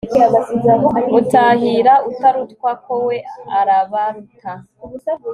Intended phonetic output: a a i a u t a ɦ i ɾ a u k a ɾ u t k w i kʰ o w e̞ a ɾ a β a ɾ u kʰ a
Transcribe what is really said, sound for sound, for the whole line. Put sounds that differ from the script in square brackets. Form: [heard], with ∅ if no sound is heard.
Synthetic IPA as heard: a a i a u t a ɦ i ɾ a u [t] a ɾ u t k w [a] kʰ o w e̞ a ɾ a β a ɾ u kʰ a